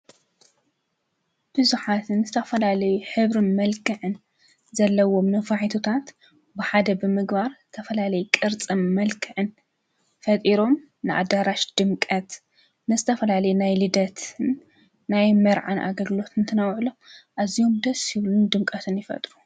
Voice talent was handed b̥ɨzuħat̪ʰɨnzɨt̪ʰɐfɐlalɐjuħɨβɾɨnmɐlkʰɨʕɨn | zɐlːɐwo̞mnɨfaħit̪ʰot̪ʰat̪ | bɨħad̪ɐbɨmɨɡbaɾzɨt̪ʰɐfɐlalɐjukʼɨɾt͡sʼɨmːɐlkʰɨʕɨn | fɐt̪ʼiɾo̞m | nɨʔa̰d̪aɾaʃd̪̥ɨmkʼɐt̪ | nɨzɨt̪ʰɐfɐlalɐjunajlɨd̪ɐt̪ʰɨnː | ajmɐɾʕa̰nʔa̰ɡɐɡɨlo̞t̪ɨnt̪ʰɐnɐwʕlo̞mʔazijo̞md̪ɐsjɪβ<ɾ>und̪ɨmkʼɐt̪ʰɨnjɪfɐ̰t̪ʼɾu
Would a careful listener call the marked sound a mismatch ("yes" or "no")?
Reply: yes